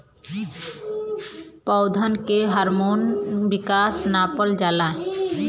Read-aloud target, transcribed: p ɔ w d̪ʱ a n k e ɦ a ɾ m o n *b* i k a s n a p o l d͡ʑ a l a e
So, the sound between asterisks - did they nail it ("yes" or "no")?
yes